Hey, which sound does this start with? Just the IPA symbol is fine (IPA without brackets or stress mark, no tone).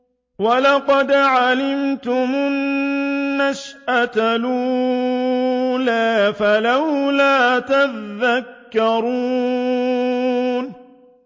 w